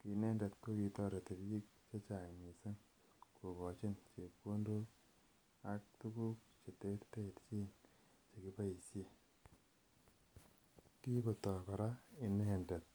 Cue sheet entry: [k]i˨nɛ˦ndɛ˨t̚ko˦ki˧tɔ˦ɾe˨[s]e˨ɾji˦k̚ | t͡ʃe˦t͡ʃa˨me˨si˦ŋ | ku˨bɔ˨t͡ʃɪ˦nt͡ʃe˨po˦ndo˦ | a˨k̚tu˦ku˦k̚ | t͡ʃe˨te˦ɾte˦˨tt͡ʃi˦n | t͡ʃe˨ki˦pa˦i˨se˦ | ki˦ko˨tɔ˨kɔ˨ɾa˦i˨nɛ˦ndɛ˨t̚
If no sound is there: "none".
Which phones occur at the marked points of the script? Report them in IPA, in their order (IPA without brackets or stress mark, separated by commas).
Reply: k, t